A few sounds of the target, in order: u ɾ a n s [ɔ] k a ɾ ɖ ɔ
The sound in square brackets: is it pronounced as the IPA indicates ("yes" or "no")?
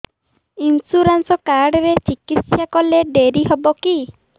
yes